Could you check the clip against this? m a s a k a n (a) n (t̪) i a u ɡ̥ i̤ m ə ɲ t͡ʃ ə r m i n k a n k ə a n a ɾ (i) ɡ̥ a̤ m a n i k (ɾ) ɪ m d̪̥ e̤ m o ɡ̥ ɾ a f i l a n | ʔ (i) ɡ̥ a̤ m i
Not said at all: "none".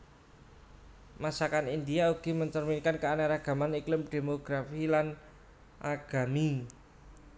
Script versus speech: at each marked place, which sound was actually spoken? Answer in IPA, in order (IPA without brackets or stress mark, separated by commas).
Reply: i, d̪, a, l, a